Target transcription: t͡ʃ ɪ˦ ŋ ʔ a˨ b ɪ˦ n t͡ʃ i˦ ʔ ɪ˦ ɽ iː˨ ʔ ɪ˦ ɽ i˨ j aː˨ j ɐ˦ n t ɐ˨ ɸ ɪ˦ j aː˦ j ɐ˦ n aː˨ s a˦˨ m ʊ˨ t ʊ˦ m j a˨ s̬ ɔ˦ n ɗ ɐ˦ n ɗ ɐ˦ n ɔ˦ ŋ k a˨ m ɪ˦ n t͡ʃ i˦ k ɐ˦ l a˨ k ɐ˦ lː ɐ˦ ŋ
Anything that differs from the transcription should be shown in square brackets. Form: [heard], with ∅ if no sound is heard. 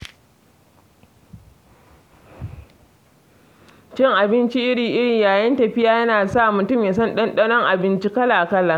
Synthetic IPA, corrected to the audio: t͡ʃ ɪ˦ ŋ ʔ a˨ b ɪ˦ n t͡ʃ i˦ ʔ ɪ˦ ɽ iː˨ ʔ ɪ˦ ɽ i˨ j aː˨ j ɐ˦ n t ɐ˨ ɸ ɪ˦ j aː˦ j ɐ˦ n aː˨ s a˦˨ m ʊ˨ t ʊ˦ m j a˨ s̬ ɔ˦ n ɗ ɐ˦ n ɗ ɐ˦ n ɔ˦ ŋ [ʔ] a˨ [b] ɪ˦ n t͡ʃ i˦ k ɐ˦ l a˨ k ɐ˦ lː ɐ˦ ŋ

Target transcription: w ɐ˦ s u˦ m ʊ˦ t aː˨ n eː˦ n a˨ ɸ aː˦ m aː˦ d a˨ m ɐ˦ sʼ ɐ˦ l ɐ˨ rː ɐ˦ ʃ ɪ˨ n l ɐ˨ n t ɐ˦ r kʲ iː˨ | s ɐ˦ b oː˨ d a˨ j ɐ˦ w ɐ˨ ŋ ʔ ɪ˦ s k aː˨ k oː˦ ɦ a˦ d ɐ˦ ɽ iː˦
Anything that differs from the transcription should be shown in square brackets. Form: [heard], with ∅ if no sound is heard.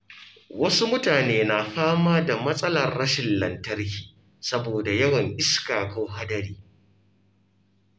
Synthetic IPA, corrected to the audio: w ɐ˦ s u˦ m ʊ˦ t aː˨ n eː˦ n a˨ ɸ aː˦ m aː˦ d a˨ m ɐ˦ sʼ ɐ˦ l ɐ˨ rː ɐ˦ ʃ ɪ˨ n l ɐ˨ n t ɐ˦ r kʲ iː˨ | s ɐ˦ b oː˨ d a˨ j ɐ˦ w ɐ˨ ŋ ʔ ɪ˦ s k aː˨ k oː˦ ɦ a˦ d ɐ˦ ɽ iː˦

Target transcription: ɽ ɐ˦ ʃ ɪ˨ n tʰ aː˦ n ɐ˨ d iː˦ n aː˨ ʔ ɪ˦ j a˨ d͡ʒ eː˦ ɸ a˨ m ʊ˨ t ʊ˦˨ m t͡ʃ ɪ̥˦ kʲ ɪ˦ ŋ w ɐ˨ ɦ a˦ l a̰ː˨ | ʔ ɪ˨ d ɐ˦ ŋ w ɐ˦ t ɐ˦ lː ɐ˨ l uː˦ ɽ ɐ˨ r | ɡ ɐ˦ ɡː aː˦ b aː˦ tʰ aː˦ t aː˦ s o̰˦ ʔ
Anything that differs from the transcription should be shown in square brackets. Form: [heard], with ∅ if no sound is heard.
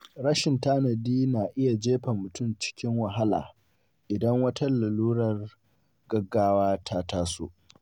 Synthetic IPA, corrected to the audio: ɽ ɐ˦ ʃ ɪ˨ n [t] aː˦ n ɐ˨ d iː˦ n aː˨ ʔ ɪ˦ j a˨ d͡ʒ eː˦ ɸ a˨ m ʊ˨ t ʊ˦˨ m t͡ʃ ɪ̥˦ kʲ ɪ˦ ŋ w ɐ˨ ɦ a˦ l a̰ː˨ | ʔ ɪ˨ d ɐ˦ ŋ w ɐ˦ t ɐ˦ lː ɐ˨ l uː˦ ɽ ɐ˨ r | ɡ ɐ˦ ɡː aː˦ [w] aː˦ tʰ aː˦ t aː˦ s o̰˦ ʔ

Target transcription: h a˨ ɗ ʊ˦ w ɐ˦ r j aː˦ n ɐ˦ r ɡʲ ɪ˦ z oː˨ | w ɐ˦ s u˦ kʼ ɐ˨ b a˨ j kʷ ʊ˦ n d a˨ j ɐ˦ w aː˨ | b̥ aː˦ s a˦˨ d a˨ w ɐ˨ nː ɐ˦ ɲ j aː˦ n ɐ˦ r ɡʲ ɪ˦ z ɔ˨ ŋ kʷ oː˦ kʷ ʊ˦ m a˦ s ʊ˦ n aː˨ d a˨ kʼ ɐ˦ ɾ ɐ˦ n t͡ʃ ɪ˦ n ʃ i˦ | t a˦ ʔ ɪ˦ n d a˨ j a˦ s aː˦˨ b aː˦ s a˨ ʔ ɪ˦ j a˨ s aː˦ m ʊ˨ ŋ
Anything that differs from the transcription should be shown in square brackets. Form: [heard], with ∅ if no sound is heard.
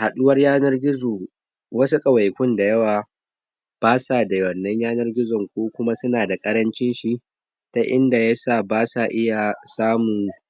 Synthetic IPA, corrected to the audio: h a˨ ɗ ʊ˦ w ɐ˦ r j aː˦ n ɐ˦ r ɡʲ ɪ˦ z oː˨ | w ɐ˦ s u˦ kʼ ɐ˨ [w] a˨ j kʷ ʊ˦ n d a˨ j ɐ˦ w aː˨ | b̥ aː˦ s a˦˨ d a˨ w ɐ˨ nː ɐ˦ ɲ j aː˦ n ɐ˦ r ɡʲ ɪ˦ z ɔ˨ ŋ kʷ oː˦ kʷ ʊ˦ m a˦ s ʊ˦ n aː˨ d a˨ kʼ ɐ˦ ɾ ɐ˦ n t͡ʃ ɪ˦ n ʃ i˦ | t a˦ ʔ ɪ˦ n d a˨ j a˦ s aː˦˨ b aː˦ s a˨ ʔ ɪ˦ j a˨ s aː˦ m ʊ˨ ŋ

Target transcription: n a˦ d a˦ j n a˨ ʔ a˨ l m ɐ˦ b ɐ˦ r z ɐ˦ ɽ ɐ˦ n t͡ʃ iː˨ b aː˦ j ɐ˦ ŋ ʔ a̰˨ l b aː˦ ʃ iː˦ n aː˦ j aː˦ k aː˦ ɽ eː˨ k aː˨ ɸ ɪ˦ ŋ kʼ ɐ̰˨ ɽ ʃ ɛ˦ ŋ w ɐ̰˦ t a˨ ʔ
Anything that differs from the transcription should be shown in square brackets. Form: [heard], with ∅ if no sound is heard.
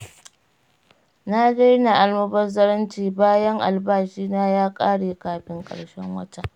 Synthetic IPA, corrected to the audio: n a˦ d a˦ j n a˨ ʔ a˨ l m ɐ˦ b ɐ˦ r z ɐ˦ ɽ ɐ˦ n t͡ʃ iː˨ b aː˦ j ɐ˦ ŋ ʔ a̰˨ l b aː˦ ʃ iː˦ n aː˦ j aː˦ [kʼ] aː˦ ɽ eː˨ k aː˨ ɸ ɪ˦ ŋ kʼ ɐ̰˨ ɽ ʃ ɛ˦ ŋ w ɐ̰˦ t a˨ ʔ

